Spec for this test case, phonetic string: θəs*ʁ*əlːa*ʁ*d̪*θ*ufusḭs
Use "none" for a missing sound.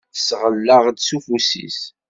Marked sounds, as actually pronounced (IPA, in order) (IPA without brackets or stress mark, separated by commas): ʁ, ʁ, s